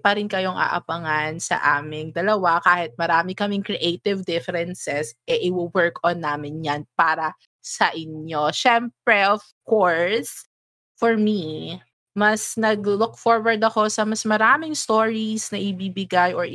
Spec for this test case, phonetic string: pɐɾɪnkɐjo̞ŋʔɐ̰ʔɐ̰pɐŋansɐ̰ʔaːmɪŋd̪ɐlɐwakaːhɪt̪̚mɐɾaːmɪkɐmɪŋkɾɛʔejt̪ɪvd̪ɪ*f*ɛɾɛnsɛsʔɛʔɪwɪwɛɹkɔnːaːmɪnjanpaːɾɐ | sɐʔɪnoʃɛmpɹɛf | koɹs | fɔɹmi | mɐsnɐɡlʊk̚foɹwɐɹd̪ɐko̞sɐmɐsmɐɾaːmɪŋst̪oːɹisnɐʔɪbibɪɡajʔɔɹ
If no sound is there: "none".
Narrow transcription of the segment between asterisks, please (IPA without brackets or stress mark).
f